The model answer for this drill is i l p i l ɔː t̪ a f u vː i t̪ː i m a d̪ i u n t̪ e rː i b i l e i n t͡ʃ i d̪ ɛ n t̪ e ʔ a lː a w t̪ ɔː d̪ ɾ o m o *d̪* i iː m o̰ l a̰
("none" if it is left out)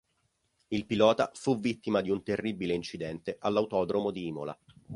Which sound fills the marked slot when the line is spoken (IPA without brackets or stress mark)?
d̪